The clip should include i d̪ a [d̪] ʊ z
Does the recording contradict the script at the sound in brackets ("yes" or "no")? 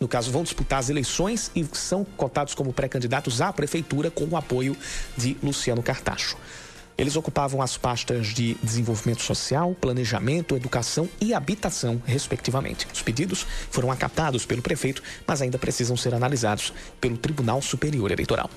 yes